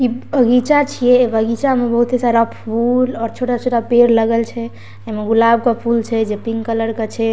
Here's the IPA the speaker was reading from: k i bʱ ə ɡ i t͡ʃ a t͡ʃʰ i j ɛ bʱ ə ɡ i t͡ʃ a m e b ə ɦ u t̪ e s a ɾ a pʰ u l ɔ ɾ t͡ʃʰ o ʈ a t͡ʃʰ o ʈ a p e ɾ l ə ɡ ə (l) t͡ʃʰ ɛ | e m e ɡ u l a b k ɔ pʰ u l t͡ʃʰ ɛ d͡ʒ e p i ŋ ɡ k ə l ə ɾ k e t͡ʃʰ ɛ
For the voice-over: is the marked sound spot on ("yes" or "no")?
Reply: yes